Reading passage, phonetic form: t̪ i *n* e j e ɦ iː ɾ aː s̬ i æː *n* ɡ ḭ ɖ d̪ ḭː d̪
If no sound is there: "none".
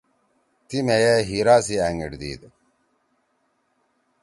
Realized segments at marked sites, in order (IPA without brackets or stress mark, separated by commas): m, ŋ